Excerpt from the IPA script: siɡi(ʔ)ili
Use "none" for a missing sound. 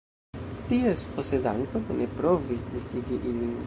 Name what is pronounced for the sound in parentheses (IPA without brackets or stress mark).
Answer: ʔ